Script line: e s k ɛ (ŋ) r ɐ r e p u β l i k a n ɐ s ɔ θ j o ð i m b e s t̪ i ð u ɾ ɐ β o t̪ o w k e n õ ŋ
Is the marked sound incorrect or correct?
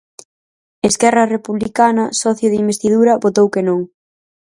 incorrect